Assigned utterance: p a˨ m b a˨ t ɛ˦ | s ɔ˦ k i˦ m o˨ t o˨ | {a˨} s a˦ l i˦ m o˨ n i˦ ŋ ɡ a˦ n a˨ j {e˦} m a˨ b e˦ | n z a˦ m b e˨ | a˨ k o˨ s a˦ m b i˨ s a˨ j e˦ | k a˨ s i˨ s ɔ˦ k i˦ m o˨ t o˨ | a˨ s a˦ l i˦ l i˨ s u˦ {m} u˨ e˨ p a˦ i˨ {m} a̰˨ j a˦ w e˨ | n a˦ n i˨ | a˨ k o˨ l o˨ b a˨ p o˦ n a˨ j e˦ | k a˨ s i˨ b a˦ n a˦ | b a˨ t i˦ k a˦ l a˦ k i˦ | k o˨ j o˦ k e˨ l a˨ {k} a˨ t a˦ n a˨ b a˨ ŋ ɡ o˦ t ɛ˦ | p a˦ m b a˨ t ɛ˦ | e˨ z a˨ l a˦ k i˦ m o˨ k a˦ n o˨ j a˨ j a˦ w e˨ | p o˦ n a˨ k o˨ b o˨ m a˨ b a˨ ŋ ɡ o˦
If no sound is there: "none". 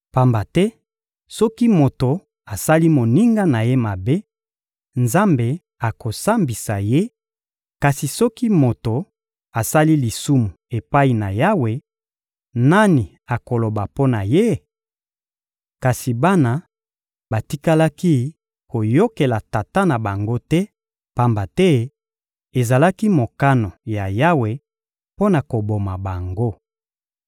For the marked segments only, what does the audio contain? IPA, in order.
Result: a˨, e˦, m, n, t

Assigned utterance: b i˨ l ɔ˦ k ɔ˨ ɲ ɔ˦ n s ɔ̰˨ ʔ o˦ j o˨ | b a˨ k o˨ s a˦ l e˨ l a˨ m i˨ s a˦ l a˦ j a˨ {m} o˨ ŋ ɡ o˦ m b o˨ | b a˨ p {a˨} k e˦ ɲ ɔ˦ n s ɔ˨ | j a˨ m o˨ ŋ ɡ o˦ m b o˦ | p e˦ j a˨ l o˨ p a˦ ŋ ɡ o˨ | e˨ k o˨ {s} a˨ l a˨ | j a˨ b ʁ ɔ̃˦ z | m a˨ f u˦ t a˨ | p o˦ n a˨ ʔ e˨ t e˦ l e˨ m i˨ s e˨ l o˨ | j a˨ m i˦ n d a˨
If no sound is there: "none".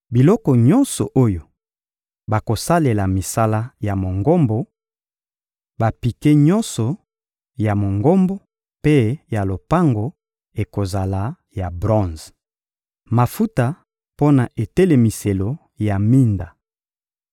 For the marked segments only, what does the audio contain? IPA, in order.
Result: m, i˨, z

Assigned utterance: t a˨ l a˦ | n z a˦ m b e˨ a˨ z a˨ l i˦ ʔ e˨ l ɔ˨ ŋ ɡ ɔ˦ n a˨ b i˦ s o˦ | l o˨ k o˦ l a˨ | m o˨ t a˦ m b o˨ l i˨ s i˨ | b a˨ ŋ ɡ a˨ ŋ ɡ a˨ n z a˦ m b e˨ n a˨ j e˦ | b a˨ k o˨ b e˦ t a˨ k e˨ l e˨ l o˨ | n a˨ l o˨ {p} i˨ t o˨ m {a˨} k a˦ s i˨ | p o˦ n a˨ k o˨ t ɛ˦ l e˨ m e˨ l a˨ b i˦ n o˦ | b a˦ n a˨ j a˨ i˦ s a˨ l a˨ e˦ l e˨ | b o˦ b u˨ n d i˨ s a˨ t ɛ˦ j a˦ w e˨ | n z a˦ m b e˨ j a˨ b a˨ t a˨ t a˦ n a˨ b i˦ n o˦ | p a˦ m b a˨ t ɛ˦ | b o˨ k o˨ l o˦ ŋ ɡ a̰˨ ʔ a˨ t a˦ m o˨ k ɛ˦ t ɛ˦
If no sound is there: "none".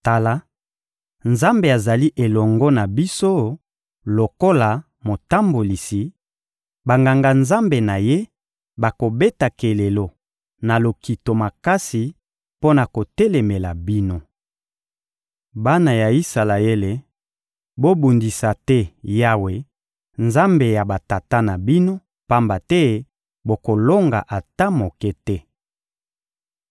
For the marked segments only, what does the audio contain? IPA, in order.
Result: k, a˨

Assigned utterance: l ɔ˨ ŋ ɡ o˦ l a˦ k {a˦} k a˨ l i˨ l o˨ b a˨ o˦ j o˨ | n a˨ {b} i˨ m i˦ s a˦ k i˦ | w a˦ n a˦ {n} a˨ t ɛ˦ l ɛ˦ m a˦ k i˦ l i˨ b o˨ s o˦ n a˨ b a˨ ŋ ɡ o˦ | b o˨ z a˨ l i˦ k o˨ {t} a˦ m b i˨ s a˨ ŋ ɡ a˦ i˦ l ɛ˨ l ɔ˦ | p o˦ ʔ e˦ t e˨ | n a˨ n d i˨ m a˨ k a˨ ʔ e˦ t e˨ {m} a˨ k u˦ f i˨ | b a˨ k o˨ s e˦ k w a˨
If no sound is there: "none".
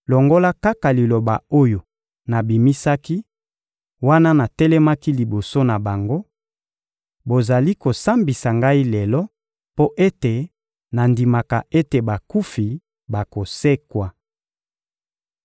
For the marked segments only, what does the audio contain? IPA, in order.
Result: a˦, b, n, s, b

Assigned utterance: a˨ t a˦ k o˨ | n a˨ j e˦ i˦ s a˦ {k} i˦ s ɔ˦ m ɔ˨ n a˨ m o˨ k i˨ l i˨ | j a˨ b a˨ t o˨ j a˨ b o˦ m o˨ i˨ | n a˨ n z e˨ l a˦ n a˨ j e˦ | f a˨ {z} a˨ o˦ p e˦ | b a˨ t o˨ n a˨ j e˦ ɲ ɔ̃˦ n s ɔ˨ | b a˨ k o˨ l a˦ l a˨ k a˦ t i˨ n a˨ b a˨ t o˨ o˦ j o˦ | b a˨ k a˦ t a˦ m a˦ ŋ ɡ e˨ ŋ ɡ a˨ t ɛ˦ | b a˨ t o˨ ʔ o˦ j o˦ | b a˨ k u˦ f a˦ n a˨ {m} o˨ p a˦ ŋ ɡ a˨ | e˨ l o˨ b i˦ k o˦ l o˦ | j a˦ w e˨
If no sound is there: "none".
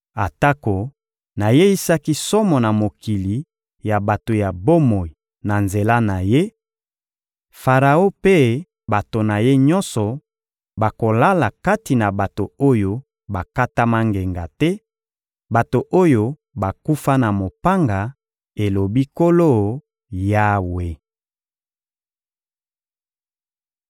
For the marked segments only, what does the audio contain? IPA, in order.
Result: k, ʁ, m

